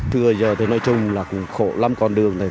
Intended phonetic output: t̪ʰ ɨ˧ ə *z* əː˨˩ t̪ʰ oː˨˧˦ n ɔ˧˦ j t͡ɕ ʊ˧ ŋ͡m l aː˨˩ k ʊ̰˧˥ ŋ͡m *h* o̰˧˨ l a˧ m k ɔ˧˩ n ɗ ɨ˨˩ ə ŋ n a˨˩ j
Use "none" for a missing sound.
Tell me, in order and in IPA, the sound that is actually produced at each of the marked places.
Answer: z, x

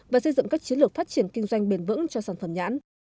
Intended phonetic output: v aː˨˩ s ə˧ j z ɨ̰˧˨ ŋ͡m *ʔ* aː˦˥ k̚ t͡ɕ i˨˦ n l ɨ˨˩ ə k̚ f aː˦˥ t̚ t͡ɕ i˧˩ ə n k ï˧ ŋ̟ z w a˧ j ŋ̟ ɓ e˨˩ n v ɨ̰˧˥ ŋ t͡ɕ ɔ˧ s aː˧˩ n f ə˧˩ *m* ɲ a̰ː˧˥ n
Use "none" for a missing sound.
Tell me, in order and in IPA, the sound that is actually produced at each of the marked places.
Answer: k, m

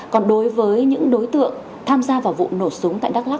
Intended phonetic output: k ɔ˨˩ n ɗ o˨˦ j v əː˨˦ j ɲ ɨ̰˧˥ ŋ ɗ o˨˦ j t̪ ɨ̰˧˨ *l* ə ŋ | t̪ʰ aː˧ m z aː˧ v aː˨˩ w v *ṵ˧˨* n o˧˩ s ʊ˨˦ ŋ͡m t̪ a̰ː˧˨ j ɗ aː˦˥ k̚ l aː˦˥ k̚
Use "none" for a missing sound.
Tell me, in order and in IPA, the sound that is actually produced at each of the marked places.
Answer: none, ṵ˧˨

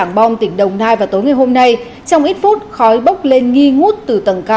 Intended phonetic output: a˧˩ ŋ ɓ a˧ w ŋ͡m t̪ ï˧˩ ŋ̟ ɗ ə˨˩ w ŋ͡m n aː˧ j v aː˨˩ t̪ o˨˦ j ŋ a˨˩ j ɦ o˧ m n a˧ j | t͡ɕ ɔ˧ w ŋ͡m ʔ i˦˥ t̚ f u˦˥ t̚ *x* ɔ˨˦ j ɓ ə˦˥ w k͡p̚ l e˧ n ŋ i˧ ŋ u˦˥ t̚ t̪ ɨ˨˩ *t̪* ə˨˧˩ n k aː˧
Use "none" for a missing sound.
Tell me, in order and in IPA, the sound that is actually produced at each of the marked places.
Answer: x, t̪

